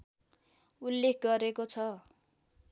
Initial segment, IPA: u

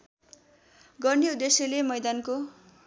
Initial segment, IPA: ɡ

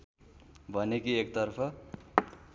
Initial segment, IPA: bʱ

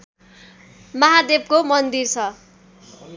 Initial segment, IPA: m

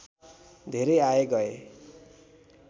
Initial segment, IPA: d̪ʱ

